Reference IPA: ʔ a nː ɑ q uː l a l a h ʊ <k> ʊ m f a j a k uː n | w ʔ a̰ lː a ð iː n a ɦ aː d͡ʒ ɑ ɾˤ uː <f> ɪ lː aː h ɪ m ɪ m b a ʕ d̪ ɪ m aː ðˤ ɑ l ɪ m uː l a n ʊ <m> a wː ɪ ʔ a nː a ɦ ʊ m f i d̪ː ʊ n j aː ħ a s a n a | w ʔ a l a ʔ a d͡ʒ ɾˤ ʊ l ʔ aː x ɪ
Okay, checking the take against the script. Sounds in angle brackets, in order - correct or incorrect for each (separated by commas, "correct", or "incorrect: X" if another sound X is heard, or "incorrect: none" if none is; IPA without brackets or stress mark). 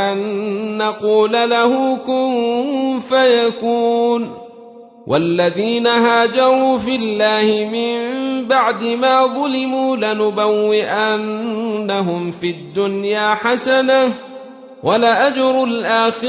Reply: correct, correct, incorrect: b